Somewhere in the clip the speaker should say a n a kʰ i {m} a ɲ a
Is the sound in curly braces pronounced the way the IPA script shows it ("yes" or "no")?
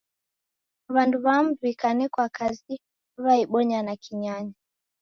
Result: no